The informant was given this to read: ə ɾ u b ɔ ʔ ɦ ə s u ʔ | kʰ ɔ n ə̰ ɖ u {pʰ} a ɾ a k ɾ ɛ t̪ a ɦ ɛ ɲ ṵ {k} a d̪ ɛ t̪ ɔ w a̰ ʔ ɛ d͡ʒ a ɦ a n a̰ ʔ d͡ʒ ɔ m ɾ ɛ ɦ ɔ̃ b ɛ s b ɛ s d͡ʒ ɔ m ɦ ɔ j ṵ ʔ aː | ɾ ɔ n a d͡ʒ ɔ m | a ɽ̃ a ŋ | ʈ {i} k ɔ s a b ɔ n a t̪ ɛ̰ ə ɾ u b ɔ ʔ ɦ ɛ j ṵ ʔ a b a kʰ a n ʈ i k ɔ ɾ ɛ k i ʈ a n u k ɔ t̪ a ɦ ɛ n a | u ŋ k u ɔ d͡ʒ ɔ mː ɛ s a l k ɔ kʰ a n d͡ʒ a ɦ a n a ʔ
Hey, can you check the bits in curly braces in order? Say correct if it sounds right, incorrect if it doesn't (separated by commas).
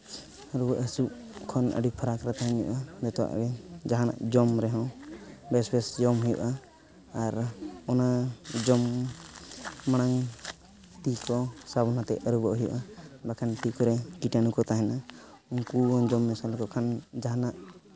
correct, incorrect, correct